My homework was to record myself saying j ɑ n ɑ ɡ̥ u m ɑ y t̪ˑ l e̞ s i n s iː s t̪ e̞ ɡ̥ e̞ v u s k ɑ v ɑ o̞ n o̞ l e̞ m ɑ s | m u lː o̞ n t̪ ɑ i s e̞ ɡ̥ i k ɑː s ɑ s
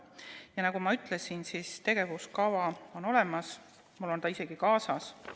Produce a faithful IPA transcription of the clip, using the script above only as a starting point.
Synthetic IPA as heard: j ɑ n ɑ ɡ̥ u m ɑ y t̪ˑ l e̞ s i n s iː s t̪ e̞ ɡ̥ e̞ v u s k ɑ v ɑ o̞ n o̞ l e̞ m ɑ s | m u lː o̞ n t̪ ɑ i s e̞ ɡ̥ i k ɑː s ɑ s